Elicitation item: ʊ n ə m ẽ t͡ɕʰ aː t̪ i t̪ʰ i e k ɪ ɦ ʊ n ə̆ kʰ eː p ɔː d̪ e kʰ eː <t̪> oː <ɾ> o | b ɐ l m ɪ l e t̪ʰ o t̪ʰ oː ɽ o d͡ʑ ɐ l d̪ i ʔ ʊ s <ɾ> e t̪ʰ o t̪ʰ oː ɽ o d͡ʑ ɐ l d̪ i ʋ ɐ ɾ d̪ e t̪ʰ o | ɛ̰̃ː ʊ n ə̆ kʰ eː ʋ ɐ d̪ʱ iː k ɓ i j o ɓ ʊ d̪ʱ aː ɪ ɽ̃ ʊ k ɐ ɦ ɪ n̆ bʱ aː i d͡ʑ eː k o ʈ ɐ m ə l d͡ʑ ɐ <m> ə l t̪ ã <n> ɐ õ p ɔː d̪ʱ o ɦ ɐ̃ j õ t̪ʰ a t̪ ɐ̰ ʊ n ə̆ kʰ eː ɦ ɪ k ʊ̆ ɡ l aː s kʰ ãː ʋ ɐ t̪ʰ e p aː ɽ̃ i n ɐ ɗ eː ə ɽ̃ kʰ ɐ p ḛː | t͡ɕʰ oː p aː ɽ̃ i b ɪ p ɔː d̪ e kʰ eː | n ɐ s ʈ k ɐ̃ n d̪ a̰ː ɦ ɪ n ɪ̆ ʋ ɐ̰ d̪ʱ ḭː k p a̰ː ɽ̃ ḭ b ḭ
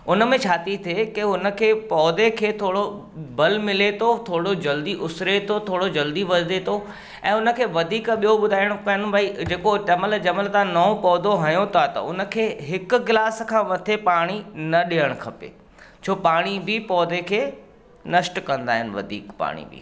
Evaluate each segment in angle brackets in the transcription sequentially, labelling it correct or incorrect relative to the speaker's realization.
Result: incorrect: t̪ʰ, incorrect: ɽ, correct, correct, correct

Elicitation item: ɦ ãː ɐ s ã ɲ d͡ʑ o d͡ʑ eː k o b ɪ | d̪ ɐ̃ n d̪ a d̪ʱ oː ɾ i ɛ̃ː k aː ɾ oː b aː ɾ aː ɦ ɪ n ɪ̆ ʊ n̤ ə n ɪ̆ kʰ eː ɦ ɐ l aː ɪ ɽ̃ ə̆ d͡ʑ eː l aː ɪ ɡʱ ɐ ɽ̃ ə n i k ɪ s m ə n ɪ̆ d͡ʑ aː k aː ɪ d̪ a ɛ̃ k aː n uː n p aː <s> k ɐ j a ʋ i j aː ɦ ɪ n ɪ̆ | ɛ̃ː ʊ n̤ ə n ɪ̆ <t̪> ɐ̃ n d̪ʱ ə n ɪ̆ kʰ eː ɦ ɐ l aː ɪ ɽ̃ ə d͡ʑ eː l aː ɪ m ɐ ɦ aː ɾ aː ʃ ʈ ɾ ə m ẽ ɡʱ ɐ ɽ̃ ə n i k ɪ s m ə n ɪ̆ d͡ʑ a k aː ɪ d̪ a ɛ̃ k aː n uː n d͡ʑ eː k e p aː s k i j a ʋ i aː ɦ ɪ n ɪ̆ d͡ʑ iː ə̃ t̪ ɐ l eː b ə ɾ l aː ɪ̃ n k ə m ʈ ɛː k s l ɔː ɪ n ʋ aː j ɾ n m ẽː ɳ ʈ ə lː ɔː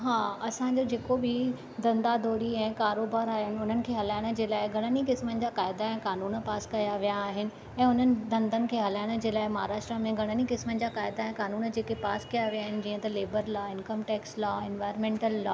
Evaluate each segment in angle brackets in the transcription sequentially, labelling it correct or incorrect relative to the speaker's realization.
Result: correct, incorrect: d̪

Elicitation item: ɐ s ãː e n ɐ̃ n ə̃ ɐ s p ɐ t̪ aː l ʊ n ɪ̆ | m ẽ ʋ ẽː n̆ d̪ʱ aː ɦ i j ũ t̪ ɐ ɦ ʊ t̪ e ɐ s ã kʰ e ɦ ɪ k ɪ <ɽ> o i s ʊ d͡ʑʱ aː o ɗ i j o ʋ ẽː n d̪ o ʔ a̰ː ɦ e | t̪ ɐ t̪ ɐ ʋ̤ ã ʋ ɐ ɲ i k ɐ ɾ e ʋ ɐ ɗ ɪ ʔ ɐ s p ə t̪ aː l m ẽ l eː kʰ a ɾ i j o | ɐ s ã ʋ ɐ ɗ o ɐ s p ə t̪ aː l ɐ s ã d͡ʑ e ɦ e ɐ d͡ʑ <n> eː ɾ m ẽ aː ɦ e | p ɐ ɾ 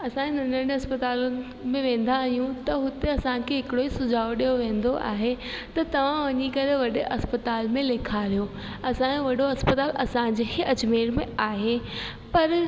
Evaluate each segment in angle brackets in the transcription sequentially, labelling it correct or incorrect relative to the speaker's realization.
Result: correct, incorrect: m

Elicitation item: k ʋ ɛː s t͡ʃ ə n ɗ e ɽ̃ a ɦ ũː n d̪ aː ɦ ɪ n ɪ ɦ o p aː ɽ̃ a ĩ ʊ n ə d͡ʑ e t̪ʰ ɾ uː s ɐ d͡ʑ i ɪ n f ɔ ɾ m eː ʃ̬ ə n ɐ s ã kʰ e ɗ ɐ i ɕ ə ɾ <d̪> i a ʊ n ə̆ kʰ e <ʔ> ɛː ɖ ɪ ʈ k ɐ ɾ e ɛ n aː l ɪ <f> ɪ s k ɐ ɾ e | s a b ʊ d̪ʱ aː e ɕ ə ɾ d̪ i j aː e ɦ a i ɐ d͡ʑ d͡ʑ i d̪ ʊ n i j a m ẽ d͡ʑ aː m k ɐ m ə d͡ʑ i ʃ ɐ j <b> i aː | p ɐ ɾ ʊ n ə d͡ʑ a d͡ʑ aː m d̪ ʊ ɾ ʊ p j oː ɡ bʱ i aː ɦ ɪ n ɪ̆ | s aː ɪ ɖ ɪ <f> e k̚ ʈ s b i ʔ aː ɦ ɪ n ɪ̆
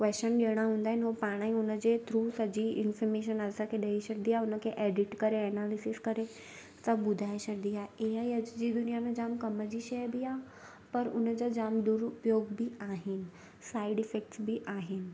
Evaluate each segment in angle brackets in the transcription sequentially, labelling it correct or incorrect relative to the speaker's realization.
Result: correct, correct, incorrect: s, correct, correct

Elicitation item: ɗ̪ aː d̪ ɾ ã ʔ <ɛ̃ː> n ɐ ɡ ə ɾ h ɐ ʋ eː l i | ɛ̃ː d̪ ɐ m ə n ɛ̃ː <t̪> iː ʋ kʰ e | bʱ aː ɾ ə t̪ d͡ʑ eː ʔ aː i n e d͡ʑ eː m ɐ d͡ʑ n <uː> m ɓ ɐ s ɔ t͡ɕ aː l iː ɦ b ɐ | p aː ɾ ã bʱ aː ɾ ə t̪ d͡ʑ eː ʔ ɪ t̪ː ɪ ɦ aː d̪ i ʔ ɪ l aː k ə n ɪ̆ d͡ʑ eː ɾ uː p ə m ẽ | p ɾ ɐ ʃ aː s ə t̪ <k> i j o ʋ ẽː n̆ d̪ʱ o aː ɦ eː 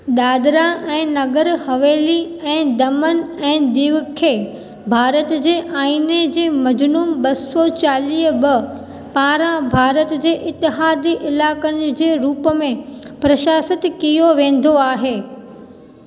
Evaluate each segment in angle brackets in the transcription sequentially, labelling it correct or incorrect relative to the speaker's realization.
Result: correct, incorrect: d̪, correct, correct

